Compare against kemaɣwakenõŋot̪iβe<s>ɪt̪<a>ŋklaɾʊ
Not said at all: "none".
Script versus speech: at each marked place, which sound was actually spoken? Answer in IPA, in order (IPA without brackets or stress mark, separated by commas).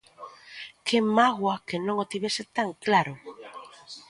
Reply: s, a